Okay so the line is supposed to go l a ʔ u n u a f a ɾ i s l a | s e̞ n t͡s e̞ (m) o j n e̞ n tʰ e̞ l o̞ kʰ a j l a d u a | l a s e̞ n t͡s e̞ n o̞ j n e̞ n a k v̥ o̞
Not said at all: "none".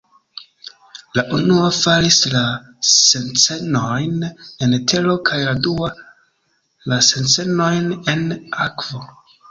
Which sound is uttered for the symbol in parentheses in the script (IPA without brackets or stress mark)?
n